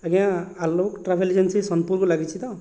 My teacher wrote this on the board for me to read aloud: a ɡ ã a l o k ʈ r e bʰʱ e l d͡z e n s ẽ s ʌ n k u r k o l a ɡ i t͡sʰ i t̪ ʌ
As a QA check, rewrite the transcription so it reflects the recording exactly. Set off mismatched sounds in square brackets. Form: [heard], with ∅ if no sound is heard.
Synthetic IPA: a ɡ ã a l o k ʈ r [a] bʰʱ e l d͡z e n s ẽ s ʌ n [p] u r k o l a ɡ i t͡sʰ i t̪ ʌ

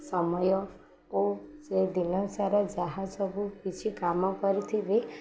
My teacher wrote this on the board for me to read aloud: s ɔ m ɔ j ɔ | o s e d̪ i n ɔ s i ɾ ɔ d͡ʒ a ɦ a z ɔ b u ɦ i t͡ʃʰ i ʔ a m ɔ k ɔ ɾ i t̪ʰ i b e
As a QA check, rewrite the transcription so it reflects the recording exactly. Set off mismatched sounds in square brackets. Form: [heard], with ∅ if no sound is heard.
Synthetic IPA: s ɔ m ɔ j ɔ | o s e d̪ i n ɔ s [a] ɾ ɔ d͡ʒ a ɦ a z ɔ b u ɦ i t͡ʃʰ i [k] a m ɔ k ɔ ɾ i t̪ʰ i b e

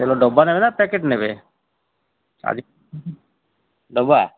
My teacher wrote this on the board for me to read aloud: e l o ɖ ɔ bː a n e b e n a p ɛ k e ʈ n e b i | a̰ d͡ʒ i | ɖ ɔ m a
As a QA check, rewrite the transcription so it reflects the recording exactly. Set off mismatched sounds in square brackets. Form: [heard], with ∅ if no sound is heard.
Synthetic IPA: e l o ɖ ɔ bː a n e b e n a p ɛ k e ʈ n e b [e] | a̰ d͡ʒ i | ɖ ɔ [b] a

